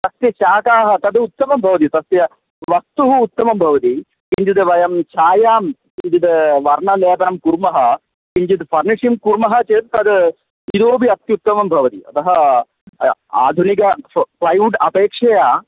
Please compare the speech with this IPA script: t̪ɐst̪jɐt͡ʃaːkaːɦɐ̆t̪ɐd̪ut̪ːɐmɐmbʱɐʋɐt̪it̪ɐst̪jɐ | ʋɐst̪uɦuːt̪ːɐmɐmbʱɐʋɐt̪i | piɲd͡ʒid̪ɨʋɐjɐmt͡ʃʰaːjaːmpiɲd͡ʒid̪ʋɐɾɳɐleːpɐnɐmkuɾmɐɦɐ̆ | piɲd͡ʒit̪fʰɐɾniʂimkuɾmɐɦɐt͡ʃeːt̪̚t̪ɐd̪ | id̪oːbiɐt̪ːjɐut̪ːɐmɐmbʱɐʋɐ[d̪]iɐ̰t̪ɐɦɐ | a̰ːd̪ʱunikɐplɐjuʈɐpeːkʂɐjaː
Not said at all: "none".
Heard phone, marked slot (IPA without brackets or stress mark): t̪